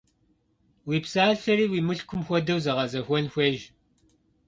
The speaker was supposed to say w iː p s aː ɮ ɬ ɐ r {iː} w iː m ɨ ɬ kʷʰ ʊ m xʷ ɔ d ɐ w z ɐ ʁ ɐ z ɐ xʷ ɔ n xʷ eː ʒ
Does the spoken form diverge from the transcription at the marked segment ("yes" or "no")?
no